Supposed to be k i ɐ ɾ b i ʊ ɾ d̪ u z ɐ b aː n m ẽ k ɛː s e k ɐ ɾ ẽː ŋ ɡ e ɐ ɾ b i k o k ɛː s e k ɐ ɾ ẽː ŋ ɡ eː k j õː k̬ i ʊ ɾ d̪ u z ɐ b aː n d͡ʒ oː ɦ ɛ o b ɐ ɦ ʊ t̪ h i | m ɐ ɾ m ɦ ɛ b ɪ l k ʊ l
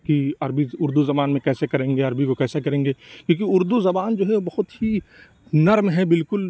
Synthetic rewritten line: k i ɐ ɾ b i ʊ ɾ d̪ u z ɐ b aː n m ẽ k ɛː s e k ɐ ɾ ẽː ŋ ɡ e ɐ ɾ b i k o k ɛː s e k ɐ ɾ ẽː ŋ ɡ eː k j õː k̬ i ʊ ɾ d̪ u z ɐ b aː n d͡ʒ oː ɦ ɛ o b ɐ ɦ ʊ t̪ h i | n ɐ ɾ m ɦ ɛ b ɪ l k ʊ l